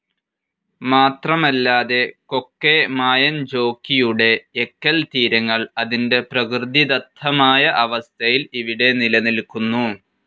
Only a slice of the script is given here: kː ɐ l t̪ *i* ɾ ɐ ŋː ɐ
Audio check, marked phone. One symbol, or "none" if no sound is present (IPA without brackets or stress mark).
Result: iː